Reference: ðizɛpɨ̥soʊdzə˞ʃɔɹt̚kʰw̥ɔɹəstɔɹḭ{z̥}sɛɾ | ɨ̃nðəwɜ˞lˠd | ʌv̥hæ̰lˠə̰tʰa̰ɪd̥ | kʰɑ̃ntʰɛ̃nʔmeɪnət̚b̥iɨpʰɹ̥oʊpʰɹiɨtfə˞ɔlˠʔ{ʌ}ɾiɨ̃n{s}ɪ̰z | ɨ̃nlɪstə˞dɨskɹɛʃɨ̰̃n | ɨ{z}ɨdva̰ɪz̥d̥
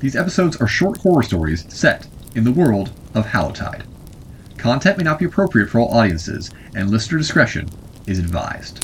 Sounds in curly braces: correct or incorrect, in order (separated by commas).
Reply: correct, incorrect, correct, correct